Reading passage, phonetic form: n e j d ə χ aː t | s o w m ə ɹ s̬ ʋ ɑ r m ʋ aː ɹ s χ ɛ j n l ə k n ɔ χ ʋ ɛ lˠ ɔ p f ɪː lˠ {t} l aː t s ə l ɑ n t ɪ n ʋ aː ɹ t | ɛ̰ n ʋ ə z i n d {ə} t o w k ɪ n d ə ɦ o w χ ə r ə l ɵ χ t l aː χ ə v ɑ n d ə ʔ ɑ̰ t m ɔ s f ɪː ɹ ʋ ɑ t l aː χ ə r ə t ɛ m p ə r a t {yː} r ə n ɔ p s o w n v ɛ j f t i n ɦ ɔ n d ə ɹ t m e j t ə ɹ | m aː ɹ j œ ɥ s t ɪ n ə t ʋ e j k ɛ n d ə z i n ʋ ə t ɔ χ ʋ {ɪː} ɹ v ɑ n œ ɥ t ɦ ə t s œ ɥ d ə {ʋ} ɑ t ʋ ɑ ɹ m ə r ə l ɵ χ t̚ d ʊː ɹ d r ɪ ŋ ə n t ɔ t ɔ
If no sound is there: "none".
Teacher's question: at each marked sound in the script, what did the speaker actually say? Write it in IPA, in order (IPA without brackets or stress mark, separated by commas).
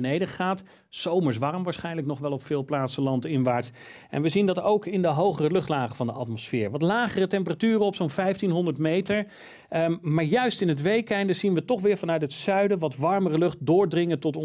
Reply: p, ɑ, yː, ɪː, ʋ